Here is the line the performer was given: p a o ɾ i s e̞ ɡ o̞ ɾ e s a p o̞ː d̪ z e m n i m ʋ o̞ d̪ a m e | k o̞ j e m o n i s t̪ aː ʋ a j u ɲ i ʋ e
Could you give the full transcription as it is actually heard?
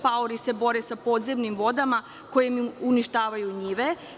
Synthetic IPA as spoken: p a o ɾ i s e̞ b o̞ ɾ e s a p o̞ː d̪ z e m n i m ʋ o̞ d̪ a m a | k o̞ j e m u n i ʃ t̪ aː ʋ a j u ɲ i ʋ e